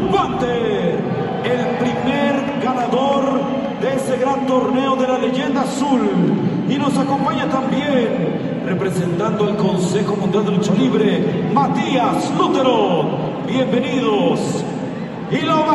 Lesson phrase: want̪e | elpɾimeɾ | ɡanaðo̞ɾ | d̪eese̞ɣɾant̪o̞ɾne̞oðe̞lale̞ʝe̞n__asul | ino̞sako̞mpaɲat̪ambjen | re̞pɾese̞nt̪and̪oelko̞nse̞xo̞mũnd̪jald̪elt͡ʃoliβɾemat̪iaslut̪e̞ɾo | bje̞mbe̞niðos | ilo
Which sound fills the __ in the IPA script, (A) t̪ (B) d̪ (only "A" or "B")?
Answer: B